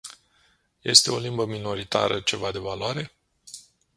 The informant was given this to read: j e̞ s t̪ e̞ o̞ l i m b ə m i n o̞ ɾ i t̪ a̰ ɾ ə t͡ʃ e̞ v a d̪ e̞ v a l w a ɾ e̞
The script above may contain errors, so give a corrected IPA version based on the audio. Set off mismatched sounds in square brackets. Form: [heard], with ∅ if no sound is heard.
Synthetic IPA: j e̞ s t̪ e̞ o̞ l i m b ə m i n o̞ ɾ i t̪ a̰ ɾ ə t͡ʃ e̞ v a d̪ e̞ v a l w a ɾ e̞